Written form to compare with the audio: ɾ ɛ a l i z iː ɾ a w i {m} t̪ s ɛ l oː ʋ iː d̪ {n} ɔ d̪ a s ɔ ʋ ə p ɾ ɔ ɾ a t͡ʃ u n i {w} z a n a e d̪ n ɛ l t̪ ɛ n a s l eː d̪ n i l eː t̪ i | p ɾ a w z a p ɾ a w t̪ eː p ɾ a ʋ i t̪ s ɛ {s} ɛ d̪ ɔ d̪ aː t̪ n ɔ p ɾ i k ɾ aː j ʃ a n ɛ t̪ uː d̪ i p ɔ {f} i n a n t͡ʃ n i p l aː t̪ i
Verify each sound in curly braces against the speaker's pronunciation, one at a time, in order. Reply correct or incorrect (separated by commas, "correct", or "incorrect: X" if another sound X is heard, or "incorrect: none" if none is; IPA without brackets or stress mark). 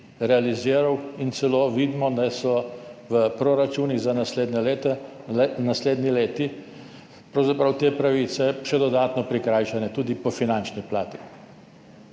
incorrect: n, incorrect: m, incorrect: ɣ, incorrect: ʃ, correct